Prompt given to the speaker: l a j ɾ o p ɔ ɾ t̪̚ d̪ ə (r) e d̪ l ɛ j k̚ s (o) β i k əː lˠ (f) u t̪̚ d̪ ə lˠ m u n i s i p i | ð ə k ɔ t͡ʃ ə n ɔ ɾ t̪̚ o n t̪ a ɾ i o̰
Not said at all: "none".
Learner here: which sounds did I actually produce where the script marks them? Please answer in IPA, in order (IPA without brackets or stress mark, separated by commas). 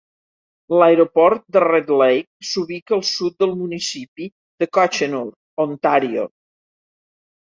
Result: r, u, s